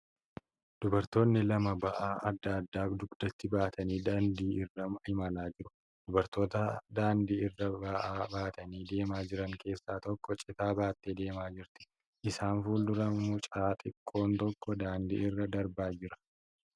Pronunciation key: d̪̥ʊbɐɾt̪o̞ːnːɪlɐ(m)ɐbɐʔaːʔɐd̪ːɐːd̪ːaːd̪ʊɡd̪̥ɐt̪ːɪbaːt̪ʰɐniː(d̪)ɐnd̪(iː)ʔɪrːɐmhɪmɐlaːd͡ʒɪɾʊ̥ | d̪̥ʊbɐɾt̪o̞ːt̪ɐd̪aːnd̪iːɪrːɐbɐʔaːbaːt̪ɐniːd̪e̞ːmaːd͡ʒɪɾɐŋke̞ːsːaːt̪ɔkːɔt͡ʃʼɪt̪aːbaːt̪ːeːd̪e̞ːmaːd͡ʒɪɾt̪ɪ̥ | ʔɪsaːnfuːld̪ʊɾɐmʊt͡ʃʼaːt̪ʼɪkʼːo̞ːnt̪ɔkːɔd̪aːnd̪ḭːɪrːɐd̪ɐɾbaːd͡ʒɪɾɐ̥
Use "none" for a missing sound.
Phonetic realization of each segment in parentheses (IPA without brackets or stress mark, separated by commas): m, d̪, iː